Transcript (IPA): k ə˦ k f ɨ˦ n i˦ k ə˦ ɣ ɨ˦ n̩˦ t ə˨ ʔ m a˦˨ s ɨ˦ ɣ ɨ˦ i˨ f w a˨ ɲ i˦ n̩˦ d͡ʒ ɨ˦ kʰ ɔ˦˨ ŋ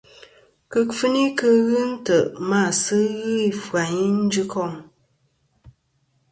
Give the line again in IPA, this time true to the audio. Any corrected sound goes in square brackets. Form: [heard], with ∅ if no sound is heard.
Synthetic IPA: k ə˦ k f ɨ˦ n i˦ k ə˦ ɣ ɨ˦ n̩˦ t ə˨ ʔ m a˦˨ s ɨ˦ ɣ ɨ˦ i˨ f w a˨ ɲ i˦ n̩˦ d͡ʒ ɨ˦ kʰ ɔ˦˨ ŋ

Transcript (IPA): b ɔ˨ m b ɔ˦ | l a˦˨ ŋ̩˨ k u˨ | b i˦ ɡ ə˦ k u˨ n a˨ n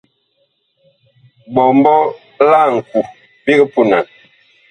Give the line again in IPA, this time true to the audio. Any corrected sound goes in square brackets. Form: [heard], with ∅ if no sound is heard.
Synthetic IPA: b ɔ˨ m b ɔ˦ | l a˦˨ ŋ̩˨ k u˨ | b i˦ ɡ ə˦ [p] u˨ n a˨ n

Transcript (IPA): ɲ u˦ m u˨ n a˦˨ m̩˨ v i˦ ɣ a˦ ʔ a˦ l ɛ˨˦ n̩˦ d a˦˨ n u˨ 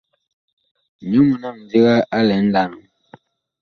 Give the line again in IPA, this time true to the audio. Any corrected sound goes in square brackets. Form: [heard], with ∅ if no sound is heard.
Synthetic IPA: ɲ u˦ m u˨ n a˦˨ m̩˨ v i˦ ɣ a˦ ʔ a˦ l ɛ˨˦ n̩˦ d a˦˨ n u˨

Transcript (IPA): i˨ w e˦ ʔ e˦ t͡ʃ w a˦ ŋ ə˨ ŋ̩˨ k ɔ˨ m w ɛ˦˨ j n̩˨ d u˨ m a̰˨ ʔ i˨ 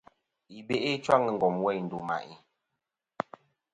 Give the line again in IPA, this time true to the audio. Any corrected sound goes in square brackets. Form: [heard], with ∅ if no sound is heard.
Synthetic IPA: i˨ [b] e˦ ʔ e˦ t͡ʃ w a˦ ŋ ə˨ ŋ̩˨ [ɡ] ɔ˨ m w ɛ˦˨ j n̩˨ d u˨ m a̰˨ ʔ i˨

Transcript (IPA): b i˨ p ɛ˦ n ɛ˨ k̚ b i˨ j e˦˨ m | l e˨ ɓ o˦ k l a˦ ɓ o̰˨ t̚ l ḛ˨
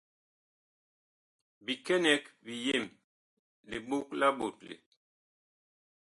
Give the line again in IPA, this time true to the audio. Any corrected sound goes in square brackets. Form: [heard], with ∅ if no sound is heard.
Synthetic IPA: b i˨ [k] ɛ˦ n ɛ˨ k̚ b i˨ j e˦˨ m | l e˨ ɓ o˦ k l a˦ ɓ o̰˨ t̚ l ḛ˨

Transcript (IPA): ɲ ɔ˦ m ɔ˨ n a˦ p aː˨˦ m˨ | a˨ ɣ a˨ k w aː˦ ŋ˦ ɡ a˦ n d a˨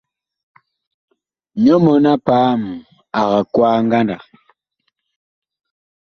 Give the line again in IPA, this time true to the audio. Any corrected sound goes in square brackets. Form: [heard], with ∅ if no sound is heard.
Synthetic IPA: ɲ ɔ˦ m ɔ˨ n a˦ p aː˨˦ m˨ | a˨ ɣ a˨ k w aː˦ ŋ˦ ɡ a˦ n d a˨

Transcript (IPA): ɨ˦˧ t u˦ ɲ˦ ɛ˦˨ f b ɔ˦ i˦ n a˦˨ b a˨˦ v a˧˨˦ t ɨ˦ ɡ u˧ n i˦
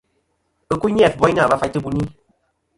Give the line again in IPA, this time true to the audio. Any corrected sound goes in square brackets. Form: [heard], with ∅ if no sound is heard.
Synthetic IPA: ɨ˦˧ [k] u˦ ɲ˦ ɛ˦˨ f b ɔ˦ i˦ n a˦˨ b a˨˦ [f] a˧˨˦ t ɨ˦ [b] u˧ n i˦

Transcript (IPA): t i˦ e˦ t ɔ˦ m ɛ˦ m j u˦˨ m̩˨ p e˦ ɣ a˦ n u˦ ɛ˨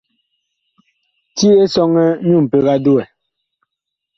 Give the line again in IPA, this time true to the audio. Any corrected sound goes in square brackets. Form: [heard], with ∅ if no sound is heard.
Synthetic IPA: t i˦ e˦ [s] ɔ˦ [ŋ] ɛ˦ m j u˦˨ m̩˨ p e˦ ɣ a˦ [d] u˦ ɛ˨

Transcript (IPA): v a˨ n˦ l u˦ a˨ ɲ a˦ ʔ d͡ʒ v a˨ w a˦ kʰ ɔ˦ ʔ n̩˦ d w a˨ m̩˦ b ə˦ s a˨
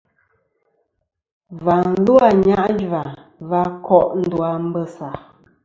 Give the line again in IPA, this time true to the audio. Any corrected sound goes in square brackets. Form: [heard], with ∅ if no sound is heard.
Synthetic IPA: v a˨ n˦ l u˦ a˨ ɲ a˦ ʔ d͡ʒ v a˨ [v] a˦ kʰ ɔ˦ ʔ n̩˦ d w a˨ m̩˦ b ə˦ s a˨

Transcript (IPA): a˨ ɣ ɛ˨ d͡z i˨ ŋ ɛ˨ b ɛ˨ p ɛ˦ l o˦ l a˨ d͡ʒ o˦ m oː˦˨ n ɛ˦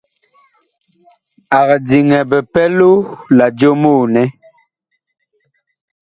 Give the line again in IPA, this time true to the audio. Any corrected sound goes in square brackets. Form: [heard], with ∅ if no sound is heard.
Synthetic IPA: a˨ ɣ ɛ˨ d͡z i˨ ŋ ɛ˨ b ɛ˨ p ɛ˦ l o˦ l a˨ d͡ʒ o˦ m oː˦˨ n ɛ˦

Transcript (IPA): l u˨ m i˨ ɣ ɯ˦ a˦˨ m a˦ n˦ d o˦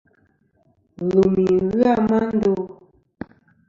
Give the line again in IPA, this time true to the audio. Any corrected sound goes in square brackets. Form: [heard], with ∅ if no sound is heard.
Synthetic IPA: l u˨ m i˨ ɣ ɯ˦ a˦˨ m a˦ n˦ d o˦

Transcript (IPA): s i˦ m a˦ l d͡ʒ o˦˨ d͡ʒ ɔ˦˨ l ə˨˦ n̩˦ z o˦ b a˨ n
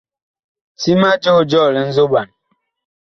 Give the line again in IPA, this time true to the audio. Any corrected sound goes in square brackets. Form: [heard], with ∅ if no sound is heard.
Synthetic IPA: s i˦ m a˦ [∅] d͡ʒ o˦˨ d͡ʒ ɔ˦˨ l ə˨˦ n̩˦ z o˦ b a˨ n

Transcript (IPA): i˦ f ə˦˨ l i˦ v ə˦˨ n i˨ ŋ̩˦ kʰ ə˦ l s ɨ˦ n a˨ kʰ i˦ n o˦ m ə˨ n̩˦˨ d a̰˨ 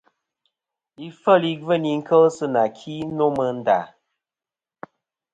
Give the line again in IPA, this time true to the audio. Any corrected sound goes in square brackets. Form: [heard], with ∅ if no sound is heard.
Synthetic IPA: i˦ f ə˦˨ l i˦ v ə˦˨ n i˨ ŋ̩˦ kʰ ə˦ l s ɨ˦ n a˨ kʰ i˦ n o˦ m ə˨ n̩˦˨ d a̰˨

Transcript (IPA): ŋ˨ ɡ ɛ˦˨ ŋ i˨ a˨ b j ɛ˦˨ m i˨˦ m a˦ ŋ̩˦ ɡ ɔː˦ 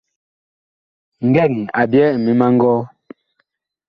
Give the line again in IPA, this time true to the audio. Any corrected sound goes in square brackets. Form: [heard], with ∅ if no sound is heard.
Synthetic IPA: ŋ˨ ɡ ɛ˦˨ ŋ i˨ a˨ b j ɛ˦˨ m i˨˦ m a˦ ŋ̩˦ ɡ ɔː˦

